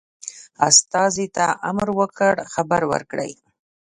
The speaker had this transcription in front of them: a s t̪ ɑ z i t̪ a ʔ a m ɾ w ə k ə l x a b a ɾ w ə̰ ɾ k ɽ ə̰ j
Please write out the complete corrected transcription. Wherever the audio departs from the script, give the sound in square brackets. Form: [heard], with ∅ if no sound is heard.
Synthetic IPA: a s t̪ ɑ z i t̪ a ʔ a m ɾ w ə k ə [ɽ] x a b a ɾ w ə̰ ɾ k ɽ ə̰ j